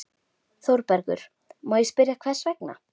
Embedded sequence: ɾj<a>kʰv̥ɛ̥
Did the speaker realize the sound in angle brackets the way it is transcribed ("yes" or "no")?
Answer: yes